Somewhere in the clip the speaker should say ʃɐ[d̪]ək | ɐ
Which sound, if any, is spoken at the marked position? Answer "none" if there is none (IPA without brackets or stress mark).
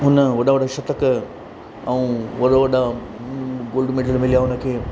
t̪